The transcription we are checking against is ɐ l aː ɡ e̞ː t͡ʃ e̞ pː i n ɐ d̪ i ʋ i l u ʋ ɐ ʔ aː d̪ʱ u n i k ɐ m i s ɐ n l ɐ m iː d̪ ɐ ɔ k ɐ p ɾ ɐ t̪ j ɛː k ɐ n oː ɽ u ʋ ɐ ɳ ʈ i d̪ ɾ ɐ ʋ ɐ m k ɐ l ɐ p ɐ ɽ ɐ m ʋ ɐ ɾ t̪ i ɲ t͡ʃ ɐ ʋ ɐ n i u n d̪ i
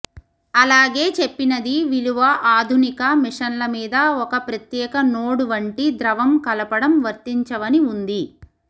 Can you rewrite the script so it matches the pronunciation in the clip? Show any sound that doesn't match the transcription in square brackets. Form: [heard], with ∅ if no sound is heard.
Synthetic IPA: ɐ l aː ɡ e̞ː t͡ʃ e̞ pː i n ɐ d̪ i ʋ i l u ʋ ɐ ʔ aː d̪ʱ u n i k ɐ m i [ʂ] ɐ n l ɐ m iː d̪ ɐ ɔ k ɐ p ɾ ɐ t̪ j ɛː k ɐ n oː ɽ u ʋ ɐ ɳ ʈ i d̪ ɾ ɐ ʋ ɐ m k ɐ l ɐ p ɐ ɽ ɐ m ʋ ɐ ɾ t̪ i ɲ t͡ʃ ɐ ʋ ɐ n i u n d̪ i